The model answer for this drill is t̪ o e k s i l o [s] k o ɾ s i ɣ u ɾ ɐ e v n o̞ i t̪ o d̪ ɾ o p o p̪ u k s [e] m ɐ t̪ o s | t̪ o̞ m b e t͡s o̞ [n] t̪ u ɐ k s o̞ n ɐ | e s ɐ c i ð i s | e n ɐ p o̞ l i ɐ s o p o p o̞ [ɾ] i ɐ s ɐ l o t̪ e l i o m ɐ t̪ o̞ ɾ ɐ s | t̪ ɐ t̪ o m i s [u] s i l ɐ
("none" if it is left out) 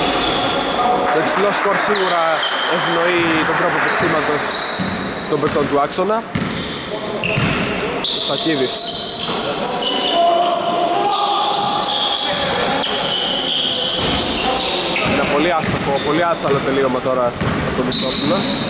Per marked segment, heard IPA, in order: s, i, n, l, o

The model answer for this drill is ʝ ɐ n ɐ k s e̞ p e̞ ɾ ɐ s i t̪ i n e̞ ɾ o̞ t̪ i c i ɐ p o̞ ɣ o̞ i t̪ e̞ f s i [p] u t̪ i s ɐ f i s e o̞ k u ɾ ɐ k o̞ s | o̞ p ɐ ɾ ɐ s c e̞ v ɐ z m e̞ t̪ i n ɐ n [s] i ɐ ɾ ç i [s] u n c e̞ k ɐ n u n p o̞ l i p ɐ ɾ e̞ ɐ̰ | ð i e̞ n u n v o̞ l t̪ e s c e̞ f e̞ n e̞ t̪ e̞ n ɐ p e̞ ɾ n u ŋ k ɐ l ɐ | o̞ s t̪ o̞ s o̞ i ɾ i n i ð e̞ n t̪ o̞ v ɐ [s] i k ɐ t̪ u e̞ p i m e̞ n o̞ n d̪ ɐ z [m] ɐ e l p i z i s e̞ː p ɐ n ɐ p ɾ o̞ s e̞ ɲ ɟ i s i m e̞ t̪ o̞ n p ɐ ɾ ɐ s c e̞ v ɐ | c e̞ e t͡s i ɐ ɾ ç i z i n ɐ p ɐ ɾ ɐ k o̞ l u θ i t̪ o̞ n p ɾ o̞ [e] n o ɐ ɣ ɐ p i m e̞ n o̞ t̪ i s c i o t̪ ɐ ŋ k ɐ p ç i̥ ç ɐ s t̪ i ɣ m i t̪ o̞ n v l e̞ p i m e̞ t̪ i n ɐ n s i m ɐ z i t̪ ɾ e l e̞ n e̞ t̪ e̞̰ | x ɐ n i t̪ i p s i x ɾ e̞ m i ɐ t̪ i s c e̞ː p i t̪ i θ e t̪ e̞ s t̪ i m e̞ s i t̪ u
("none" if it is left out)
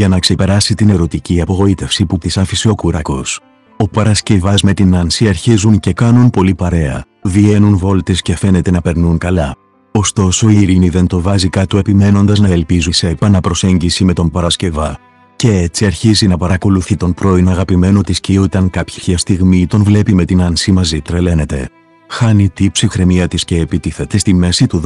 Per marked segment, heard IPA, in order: p, s, z, z, n, i

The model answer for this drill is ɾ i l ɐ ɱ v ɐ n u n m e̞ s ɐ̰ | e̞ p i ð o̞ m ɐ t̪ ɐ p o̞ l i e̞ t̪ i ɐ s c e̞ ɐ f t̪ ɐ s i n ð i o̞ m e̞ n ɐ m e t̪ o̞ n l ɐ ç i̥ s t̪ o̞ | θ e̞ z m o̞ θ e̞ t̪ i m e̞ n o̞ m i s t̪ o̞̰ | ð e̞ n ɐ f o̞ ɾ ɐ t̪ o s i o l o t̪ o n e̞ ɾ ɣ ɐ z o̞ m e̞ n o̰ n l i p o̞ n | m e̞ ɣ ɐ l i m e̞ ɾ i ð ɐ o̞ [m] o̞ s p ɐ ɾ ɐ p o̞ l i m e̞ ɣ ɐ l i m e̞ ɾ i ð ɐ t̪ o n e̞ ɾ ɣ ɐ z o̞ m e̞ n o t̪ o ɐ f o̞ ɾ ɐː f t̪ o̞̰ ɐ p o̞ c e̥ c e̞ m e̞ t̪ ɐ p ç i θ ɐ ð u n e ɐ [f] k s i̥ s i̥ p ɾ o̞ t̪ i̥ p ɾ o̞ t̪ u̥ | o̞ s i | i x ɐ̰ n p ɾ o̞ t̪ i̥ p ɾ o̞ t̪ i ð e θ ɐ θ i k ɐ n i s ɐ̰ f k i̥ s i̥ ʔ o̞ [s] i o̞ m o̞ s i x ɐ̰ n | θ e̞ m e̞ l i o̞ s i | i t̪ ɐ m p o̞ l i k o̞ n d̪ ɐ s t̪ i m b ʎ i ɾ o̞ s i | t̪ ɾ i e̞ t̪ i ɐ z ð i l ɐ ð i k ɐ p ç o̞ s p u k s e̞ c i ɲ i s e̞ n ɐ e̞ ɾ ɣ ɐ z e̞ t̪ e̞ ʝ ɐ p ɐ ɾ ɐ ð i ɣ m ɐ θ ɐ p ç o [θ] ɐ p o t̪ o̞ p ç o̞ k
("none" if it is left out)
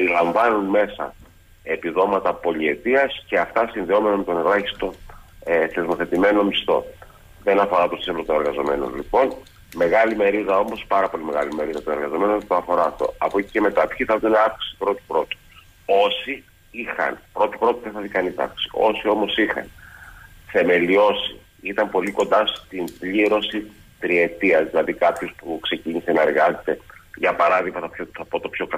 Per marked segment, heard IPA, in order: m, f, s, θ

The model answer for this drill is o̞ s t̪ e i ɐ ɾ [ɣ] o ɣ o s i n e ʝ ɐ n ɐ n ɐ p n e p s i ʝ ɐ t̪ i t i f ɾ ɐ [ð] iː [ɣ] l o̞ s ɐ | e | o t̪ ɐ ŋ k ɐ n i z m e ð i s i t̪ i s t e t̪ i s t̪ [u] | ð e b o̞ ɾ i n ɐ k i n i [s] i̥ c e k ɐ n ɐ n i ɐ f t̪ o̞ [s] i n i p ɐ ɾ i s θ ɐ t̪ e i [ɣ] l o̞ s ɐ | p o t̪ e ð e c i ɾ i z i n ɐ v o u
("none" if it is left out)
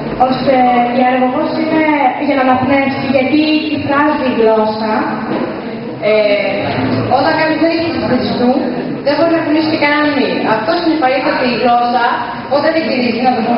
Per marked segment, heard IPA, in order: ɣ, z, ɣ, u, s, s, ɣ

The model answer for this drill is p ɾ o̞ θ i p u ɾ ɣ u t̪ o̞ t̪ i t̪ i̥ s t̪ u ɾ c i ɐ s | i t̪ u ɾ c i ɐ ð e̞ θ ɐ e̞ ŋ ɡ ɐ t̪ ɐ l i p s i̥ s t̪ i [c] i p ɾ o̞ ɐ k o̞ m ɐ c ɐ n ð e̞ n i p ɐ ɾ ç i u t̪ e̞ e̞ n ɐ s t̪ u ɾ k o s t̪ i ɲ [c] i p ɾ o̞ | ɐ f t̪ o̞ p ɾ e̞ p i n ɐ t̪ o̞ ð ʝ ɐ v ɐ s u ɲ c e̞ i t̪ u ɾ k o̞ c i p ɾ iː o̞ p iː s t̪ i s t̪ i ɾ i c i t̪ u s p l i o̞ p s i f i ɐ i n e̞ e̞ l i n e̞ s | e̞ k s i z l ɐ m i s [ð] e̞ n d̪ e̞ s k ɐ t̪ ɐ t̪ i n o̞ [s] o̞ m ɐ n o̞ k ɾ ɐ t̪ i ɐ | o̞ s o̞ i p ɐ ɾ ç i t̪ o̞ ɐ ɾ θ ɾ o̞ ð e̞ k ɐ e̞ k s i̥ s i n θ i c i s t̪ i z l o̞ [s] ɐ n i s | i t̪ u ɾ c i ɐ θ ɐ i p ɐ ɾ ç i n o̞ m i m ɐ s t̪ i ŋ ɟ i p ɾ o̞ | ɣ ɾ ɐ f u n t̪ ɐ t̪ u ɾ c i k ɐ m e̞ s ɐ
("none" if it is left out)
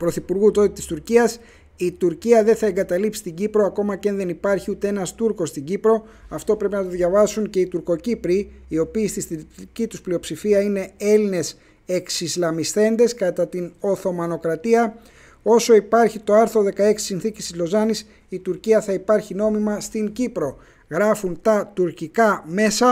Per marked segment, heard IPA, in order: ɟ, ɟ, θ, θ, z

